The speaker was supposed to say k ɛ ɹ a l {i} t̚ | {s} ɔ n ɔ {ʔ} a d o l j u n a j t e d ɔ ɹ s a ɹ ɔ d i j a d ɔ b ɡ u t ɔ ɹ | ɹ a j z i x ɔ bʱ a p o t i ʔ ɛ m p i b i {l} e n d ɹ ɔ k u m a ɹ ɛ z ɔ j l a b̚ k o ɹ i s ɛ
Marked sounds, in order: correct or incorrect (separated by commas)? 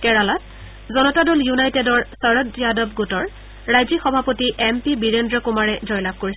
incorrect, incorrect, incorrect, incorrect